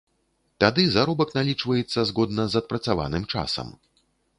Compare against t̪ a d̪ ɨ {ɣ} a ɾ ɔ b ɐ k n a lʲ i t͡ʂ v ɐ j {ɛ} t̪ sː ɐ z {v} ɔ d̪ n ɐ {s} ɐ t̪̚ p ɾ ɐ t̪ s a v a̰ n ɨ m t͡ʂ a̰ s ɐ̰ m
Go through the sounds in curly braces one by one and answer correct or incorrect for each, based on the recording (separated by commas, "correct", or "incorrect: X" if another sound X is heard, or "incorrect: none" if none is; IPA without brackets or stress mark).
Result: incorrect: z, correct, incorrect: ɣ, incorrect: z